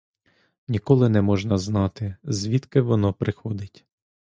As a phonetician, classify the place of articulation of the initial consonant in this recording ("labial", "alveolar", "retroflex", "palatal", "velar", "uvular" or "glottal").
alveolar